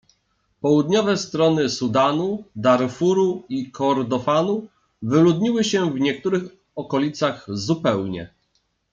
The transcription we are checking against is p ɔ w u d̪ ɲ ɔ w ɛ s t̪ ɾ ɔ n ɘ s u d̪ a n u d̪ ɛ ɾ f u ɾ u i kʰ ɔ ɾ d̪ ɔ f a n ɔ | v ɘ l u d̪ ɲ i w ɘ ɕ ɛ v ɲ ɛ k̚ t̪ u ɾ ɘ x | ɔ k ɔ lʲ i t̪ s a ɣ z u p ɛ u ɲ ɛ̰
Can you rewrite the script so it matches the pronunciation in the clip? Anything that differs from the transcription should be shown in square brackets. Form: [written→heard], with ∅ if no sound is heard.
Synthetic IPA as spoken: p ɔ w u d̪ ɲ ɔ [w→v] ɛ s t̪ ɾ ɔ n ɘ s u d̪ a n u d̪ [ɛ→a] ɾ f u ɾ u i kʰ ɔ ɾ d̪ ɔ f a n [ɔ→u] | v ɘ l u d̪ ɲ i w ɘ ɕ ɛ v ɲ ɛ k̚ t̪ u ɾ ɘ x | ɔ k ɔ lʲ i t̪ s a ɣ z u p ɛ [u→w] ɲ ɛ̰